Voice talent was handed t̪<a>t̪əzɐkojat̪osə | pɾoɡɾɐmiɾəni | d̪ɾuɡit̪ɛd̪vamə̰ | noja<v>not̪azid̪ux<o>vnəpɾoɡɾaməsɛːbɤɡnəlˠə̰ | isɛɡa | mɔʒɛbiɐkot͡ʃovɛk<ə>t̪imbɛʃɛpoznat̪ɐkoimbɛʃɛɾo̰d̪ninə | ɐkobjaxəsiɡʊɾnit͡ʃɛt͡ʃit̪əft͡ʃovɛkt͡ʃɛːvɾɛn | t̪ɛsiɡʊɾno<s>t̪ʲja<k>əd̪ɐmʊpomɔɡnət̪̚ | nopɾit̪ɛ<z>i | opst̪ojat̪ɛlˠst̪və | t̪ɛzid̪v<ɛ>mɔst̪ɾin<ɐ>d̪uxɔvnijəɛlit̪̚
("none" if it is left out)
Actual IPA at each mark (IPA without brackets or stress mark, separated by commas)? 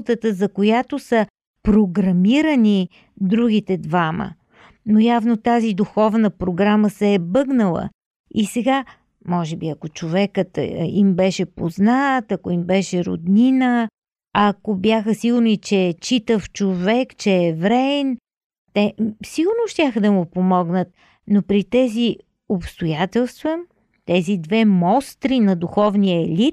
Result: ə, v, ɔ, ə, ʃ, x, z, ɛ, ɐ